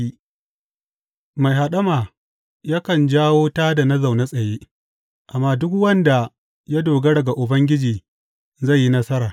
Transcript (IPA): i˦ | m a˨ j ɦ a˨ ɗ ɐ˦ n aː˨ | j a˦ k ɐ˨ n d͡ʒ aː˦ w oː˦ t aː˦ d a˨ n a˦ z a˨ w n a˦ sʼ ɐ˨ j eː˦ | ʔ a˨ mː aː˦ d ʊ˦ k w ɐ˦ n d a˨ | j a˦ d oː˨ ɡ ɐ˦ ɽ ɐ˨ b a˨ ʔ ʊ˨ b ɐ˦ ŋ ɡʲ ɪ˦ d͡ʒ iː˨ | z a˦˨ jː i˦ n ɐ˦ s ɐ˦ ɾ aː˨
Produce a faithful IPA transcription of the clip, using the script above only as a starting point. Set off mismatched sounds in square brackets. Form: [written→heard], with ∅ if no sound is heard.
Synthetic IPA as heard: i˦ | m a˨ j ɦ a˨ ɗ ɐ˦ [n→m] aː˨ | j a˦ k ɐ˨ n d͡ʒ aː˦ w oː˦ t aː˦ d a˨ n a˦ z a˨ w n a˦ sʼ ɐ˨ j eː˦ | ʔ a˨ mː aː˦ d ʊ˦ k w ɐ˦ n d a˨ | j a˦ d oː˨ ɡ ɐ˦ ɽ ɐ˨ [b→ɡ] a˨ ʔ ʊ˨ b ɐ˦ ŋ ɡʲ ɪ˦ d͡ʒ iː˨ | z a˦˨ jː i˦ n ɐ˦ s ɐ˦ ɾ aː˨